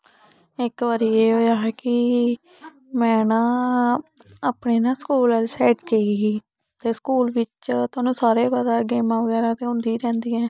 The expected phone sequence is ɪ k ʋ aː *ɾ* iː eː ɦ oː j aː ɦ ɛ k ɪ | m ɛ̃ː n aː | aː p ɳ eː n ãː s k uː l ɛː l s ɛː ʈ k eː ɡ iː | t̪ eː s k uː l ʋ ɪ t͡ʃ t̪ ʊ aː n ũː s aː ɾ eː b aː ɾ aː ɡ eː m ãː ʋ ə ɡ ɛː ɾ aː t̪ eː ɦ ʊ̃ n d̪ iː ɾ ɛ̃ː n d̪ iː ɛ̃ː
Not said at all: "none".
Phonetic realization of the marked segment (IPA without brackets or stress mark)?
ɾ